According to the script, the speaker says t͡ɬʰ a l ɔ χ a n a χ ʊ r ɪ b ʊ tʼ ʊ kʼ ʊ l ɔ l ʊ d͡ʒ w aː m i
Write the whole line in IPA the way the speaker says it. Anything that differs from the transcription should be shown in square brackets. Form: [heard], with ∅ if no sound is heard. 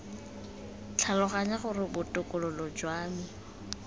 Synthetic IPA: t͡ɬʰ a l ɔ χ a [ɲ] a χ ʊ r ɪ b ʊ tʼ ʊ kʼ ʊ l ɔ l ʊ d͡ʒ w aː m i